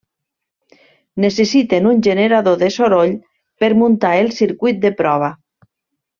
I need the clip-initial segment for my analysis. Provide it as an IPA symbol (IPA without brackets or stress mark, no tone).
n